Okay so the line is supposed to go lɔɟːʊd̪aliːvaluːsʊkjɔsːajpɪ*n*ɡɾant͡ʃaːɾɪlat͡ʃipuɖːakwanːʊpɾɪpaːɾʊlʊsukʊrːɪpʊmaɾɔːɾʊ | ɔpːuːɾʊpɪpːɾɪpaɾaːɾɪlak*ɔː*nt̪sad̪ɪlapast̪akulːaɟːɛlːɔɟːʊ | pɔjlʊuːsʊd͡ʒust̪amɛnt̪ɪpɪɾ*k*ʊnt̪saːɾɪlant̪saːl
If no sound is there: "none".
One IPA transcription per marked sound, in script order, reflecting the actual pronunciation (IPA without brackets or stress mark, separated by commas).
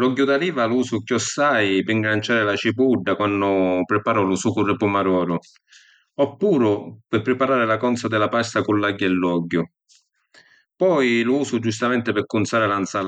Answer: ŋ, ɔ, k